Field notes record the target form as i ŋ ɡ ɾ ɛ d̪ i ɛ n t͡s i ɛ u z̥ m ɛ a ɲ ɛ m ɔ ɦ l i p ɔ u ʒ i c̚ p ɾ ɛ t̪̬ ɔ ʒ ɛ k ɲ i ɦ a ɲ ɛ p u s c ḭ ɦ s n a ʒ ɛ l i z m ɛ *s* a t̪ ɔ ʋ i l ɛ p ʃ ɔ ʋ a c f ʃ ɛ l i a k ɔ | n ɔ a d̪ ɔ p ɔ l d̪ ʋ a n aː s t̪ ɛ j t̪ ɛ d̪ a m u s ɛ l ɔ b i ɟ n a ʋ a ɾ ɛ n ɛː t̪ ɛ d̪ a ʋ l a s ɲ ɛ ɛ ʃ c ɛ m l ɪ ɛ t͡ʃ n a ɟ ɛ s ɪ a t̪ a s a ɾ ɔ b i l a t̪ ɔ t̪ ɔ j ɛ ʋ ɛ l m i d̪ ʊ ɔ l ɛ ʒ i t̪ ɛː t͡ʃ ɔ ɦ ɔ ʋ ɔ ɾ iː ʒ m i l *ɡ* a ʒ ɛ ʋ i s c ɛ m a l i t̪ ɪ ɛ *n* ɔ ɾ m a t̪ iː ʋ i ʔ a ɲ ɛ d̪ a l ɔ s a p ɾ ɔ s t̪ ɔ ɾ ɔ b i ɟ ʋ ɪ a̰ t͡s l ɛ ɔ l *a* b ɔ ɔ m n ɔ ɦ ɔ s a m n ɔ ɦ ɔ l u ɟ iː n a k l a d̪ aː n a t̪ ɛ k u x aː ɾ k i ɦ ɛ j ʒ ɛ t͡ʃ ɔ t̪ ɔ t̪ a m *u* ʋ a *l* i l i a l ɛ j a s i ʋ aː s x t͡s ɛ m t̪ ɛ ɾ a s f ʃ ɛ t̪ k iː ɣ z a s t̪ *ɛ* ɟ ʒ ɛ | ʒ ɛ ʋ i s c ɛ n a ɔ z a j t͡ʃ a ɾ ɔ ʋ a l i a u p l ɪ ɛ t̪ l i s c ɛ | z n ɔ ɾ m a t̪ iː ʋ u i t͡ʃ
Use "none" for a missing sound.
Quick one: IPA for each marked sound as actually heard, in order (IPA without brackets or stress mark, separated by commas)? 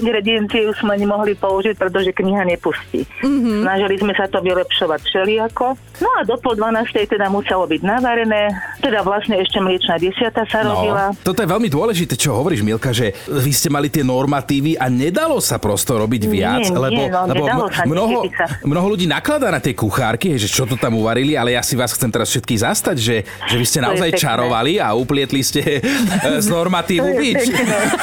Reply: s, k, n, ɛ, u, ɾ, a